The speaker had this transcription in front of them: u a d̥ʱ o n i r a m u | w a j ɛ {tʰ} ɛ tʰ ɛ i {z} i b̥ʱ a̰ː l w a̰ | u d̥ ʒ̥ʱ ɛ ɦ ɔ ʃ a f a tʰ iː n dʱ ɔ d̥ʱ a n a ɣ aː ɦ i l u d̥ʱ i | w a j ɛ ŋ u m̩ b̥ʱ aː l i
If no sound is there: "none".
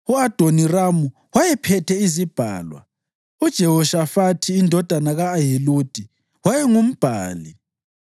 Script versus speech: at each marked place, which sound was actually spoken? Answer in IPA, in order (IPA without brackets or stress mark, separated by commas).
pʰ, z